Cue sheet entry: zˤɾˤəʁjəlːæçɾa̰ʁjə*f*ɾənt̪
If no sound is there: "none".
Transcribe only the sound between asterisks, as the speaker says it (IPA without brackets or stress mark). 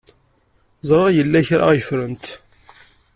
f